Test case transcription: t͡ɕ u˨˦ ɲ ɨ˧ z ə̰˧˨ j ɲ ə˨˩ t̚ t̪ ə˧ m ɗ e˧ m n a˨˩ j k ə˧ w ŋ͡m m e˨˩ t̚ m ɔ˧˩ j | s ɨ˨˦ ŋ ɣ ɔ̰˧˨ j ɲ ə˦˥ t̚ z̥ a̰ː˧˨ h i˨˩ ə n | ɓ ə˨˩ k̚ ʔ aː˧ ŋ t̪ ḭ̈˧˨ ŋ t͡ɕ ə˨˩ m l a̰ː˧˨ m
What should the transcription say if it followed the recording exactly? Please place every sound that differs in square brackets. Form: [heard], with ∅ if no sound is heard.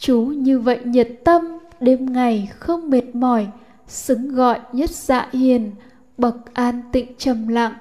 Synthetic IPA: t͡ɕ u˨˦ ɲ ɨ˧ [v] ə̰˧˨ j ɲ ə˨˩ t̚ t̪ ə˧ m ɗ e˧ m [ŋ] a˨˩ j [x] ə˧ w ŋ͡m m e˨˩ t̚ m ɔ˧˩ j | s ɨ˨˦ ŋ ɣ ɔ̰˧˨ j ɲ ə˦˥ t̚ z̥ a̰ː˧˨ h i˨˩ ə n | ɓ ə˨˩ k̚ ʔ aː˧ [n] t̪ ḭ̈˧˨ ŋ t͡ɕ ə˨˩ m l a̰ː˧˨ [ŋ]